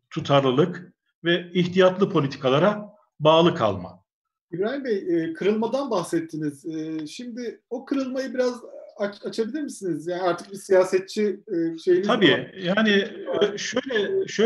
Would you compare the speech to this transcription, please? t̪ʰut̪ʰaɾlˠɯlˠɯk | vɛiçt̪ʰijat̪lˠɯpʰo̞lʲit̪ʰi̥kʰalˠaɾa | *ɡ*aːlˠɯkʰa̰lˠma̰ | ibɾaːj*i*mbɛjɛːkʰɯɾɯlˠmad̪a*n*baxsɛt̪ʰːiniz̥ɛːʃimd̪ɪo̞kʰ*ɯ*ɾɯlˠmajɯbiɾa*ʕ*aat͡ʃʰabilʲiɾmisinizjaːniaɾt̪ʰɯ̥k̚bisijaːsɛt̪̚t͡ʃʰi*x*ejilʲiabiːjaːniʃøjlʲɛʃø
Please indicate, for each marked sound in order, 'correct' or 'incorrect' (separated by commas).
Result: incorrect, correct, correct, correct, incorrect, incorrect